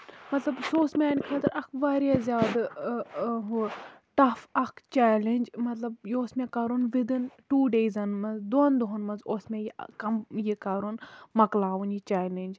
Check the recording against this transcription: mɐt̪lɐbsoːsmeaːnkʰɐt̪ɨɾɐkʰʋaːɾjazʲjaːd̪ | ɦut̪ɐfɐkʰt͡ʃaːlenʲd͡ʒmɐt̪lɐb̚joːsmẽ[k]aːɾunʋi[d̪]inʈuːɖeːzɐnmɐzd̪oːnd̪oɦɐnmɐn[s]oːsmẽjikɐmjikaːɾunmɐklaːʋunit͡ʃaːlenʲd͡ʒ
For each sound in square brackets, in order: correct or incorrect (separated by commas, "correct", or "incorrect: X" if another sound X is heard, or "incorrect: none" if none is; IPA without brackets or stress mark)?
correct, correct, incorrect: z